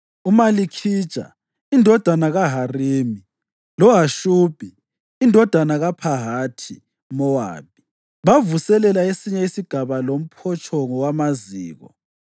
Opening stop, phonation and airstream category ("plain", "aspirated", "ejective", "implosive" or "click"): aspirated